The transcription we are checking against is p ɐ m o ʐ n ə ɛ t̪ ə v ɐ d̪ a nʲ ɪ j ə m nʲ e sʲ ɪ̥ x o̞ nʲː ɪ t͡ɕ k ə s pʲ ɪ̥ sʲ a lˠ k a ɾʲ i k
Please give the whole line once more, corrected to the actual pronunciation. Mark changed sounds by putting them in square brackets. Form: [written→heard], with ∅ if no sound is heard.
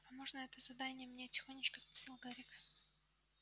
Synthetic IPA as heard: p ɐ m o ʐ n ə ɛ t̪ ə [v→z] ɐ d̪ a nʲ ɪ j ə m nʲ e [sʲ→tʲ] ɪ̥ x o̞ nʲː ɪ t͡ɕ k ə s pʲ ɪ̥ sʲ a lˠ [k→ɡ] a ɾʲ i k